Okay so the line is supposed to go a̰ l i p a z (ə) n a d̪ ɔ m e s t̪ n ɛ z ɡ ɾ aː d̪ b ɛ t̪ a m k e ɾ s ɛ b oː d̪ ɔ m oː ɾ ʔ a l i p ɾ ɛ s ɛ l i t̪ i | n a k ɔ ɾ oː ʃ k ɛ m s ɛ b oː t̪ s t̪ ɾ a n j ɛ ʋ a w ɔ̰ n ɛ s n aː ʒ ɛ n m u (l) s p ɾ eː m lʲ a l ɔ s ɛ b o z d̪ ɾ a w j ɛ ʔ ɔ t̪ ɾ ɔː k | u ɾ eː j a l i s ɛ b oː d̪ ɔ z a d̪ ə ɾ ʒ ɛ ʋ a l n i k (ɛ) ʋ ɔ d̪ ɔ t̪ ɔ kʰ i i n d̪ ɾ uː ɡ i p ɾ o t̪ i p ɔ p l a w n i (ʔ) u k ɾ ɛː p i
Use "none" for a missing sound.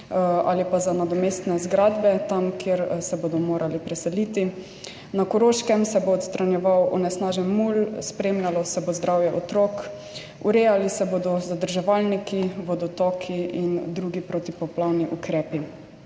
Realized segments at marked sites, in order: a, l, i, ʔ

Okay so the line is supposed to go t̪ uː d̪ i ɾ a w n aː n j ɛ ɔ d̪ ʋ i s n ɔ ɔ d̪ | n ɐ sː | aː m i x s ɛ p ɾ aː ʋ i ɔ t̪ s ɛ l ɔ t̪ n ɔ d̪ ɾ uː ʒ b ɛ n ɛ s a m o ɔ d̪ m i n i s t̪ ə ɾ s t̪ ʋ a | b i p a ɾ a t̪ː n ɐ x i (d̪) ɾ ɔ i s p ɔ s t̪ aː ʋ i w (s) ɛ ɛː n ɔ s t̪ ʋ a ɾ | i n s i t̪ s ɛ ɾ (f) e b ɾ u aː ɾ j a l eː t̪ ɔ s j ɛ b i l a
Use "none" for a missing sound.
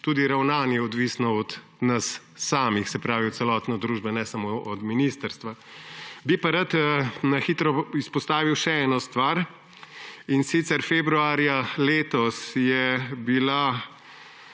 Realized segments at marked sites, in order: t̪, ʃ, f

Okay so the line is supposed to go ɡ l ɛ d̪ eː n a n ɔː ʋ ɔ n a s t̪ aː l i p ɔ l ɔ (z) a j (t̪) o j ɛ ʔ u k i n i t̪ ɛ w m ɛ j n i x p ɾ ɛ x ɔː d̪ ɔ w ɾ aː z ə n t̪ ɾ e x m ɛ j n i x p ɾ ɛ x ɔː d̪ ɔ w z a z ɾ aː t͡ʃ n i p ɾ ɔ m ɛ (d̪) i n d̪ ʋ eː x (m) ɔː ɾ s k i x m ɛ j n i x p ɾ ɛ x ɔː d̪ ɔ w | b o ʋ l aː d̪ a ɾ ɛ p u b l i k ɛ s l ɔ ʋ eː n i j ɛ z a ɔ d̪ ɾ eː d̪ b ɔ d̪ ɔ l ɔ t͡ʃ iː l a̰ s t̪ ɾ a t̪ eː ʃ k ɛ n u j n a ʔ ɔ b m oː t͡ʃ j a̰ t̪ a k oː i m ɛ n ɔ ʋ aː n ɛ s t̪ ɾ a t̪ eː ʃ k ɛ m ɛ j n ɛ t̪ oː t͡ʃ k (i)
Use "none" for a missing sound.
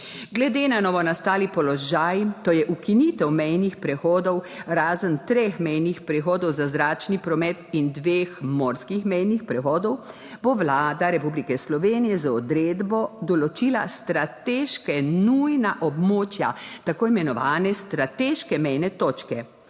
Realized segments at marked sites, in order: ʒ, t̪, t̪, m, ɛ

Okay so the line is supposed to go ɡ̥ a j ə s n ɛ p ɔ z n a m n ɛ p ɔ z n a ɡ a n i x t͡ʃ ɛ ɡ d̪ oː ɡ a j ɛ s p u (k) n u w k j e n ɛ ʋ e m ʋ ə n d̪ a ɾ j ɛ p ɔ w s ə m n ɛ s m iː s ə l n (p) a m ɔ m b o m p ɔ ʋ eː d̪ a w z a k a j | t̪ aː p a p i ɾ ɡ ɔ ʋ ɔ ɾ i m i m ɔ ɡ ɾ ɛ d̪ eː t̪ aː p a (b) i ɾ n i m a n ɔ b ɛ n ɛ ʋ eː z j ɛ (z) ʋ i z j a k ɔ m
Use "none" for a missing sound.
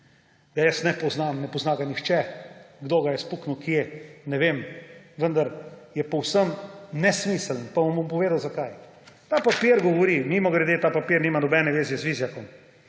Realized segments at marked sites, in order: k, p, p, z

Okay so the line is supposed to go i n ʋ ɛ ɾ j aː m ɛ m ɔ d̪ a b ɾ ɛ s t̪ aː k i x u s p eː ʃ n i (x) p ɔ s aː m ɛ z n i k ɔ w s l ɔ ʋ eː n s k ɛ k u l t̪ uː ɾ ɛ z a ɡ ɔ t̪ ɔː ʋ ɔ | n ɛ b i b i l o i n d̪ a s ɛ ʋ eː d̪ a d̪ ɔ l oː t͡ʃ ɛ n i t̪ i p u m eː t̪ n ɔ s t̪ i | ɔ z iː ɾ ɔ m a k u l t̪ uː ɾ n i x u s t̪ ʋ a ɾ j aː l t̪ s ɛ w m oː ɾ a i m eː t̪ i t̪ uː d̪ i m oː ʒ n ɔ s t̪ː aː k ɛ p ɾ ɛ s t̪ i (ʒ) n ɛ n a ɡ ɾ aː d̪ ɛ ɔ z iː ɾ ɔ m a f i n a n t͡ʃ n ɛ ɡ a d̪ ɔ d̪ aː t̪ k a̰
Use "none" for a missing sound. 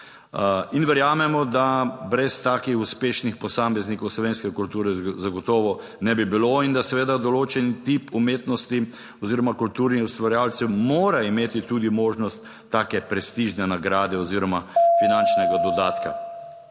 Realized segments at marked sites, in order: x, ʒ

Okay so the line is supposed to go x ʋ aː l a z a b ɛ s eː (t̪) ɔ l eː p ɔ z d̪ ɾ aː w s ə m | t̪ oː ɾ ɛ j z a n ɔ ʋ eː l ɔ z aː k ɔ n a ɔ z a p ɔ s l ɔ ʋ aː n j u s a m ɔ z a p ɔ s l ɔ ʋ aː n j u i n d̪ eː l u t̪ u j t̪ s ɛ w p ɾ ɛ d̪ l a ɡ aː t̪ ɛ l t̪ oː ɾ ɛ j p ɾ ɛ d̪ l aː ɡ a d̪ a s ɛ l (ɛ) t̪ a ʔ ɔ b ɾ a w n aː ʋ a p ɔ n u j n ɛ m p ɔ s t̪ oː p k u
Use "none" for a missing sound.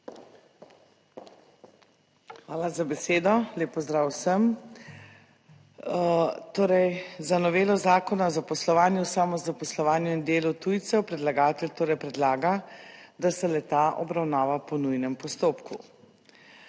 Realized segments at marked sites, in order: d̪, ɛ

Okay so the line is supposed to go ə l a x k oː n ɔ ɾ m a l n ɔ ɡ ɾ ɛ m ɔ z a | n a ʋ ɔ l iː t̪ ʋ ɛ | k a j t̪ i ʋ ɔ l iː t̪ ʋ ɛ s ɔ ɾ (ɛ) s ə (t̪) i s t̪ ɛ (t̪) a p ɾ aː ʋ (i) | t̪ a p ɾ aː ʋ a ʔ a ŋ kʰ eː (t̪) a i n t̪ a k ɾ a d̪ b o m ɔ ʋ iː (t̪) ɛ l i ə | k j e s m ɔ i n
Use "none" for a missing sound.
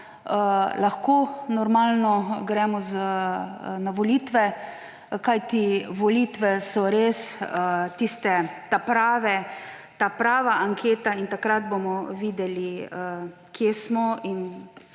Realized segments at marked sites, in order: e, t̪, t̪, ɛ, t̪, d̪

